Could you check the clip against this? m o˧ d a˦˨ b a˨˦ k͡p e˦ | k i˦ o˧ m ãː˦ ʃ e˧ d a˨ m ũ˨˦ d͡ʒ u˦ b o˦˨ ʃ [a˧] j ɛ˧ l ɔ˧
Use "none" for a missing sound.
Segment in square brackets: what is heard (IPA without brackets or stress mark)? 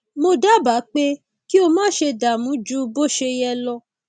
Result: e˧